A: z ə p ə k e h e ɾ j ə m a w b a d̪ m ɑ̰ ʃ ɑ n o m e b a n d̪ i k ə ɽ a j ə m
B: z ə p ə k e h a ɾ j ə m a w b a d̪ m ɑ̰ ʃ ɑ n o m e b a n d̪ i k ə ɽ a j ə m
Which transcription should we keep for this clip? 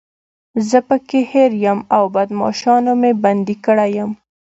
A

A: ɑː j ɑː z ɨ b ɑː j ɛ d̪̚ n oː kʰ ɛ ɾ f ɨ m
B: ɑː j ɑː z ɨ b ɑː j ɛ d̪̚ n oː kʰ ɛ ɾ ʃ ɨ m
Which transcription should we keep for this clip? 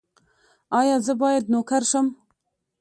B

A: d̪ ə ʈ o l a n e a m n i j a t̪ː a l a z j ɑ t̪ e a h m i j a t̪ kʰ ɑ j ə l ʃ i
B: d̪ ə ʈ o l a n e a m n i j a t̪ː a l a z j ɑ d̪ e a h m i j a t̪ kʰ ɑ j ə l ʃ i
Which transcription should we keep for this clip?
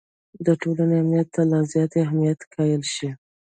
A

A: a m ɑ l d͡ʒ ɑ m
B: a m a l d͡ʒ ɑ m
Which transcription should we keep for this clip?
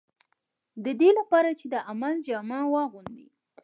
B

